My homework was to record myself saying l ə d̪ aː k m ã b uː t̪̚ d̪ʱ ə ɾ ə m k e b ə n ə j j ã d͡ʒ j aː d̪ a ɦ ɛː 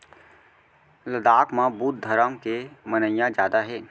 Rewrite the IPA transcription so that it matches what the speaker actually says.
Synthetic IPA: l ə d̪ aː k m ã b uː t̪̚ d̪ʱ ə ɾ ə m k e m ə n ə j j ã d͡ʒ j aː d̪ a ɦ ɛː